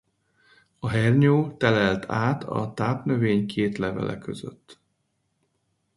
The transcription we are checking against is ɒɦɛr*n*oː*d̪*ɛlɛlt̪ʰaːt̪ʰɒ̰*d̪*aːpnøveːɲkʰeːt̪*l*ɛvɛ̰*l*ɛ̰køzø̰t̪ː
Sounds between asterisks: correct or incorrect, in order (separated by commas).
incorrect, incorrect, incorrect, correct, correct